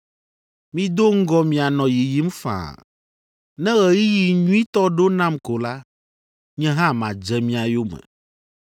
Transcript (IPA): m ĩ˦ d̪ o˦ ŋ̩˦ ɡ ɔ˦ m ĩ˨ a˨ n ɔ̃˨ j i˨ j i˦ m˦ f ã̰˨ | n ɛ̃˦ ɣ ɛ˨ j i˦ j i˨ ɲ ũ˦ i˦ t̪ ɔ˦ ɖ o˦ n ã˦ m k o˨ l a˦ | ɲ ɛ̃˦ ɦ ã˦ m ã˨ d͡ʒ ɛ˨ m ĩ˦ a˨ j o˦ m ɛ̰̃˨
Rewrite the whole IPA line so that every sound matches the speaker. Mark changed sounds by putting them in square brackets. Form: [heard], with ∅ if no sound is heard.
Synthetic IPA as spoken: m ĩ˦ d̪ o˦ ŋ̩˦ ɡ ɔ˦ m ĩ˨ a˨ n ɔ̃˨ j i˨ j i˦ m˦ f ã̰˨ | n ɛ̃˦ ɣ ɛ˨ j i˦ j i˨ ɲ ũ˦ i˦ t̪ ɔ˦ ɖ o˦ n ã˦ m k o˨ l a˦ | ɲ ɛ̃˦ ɦ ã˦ m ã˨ d͡ʒ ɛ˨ m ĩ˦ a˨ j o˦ m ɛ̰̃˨